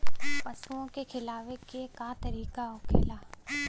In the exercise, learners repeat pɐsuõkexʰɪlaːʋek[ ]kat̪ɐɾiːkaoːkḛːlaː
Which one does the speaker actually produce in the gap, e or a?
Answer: e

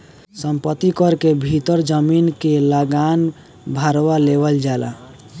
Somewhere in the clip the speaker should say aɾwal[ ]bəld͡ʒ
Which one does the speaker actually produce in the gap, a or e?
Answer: e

